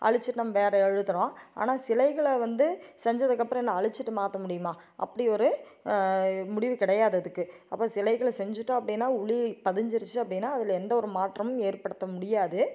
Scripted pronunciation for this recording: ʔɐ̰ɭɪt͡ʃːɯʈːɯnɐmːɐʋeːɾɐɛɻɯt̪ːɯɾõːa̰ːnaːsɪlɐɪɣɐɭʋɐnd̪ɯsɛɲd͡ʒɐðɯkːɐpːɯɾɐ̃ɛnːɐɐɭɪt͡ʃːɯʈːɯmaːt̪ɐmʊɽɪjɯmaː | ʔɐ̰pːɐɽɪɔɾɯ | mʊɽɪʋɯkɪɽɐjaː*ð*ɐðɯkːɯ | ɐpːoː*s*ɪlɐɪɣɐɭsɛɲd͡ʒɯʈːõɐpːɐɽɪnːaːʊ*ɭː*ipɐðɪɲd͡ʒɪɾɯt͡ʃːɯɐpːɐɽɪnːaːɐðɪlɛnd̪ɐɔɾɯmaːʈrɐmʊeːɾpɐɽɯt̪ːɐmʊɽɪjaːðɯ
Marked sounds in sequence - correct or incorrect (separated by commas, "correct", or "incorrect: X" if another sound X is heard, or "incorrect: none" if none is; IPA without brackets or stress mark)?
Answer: correct, correct, incorrect: ɭ